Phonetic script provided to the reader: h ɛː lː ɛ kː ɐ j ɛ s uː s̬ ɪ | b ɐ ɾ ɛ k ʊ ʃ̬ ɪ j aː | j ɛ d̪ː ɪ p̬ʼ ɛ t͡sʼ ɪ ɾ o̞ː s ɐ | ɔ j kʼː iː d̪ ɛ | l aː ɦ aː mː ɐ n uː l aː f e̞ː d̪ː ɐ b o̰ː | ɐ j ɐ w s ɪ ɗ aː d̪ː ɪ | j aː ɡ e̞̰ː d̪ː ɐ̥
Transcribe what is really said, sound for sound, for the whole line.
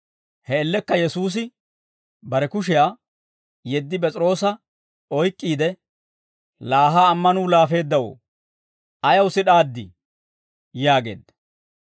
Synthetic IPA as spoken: h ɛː lː ɛ kː ɐ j ɛ s uː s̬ ɪ | b ɐ ɾ ɛ k ʊ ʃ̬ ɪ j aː | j ɛ d̪ː ɪ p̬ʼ ɛ t͡sʼ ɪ ɾ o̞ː s ɐ | ɔ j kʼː iː d̪ ɛ | l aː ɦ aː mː ɐ n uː l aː f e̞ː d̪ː ɐ w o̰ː | ɐ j ɐ w s ɪ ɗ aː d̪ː ɪ | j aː ɡ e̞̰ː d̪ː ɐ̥